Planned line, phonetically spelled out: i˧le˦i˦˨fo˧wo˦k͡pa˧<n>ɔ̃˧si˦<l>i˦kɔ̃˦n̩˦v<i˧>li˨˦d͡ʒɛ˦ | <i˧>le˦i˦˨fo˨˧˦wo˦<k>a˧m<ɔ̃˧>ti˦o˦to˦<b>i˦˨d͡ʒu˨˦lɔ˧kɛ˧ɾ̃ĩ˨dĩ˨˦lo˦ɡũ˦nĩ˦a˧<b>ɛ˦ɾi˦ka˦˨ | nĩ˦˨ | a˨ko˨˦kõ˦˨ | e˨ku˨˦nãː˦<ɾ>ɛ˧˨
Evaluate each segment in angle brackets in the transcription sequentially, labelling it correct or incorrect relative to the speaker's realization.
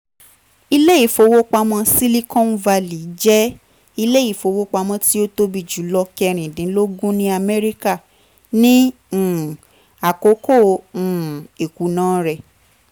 incorrect: m, correct, incorrect: a˧, correct, incorrect: k͡p, correct, correct, incorrect: m, correct

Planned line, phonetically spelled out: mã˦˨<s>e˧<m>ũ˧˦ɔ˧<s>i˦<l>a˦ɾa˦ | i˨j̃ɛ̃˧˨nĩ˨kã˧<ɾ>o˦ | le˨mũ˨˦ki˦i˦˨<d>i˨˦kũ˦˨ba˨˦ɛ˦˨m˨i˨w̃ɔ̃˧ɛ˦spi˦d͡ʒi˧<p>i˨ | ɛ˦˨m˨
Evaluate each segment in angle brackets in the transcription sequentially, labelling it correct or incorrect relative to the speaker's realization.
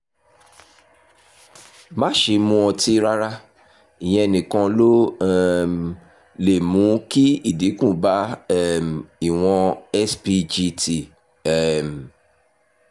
incorrect: ʃ, correct, incorrect: t, incorrect: ɾ, incorrect: l, correct, incorrect: t

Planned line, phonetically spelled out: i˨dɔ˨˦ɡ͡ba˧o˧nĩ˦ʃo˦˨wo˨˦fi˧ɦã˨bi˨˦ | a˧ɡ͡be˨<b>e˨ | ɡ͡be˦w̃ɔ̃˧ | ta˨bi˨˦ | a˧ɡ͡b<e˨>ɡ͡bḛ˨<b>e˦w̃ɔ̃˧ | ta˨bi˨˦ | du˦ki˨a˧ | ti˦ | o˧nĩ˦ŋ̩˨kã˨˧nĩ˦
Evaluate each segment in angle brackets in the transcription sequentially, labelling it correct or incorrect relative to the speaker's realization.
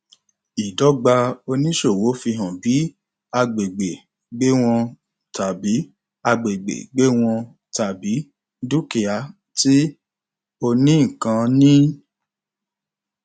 incorrect: ɡ͡b, correct, incorrect: ɡ͡b

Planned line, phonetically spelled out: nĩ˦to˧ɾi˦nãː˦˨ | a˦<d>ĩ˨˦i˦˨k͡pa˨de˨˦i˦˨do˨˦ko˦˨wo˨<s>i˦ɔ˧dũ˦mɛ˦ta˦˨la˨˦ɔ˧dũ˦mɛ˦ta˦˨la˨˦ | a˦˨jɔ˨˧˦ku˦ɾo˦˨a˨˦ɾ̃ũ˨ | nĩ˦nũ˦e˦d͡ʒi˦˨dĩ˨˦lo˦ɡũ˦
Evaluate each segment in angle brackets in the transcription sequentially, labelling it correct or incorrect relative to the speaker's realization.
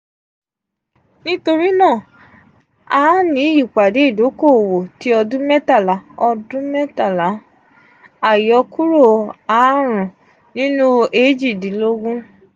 incorrect: n, incorrect: t

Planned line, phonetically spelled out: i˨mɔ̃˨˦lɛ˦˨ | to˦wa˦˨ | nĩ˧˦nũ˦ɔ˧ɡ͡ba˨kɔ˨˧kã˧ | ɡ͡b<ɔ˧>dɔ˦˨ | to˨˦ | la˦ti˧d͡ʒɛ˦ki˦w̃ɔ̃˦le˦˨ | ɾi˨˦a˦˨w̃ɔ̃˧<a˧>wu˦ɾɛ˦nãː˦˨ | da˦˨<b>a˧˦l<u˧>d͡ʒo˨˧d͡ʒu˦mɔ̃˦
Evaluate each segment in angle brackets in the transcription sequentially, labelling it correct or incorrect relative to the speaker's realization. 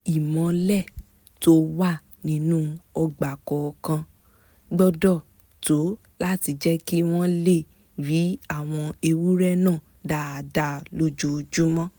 correct, incorrect: e˧, incorrect: d, incorrect: o˧

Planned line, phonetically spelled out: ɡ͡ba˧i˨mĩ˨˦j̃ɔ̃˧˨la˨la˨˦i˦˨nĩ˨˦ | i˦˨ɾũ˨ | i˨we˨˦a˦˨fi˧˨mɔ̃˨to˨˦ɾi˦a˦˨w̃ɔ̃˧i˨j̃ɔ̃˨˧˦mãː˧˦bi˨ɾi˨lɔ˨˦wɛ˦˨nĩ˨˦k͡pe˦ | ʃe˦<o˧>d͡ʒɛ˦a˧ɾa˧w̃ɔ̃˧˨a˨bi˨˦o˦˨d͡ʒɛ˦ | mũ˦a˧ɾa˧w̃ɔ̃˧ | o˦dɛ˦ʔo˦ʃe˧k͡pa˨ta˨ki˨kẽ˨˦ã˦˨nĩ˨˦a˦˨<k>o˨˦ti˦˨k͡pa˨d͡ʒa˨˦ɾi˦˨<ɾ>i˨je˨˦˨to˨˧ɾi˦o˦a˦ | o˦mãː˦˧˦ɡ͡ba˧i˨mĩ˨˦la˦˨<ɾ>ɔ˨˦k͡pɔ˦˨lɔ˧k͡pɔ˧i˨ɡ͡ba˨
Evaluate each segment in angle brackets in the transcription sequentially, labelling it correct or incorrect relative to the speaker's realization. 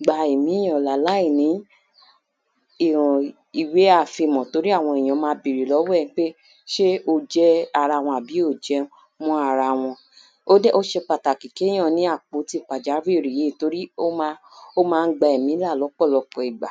correct, incorrect: k͡p, correct, incorrect: l

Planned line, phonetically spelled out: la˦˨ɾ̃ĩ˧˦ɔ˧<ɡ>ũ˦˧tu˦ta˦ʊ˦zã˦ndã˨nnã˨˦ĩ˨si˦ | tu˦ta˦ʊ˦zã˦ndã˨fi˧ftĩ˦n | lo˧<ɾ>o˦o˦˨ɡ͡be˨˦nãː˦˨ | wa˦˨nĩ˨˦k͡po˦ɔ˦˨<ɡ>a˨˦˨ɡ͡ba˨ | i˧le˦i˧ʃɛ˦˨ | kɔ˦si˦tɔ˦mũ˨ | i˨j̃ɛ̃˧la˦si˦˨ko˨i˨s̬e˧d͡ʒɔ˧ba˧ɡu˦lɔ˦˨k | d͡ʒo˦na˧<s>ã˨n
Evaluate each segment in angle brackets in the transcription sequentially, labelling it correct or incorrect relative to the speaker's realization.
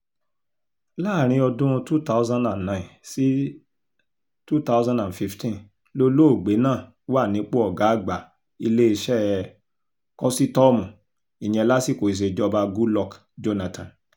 incorrect: d, incorrect: l, correct, incorrect: t

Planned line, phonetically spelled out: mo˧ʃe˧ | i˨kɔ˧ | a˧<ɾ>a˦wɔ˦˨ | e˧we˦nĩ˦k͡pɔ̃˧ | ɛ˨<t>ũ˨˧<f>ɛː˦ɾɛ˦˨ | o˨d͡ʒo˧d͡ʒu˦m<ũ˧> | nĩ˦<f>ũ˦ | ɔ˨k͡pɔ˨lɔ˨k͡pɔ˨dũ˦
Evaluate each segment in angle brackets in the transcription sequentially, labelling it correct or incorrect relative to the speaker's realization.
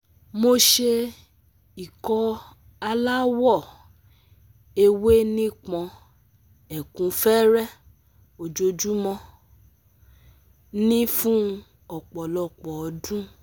incorrect: l, incorrect: k, correct, incorrect: ɔ̃˧, correct

